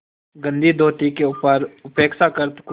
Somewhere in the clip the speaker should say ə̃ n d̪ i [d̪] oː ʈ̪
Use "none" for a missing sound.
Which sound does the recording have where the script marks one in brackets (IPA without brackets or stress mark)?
d̪